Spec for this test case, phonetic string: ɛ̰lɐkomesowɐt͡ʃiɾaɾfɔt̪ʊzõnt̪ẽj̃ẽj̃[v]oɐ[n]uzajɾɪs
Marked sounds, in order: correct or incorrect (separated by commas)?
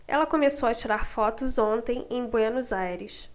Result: incorrect, correct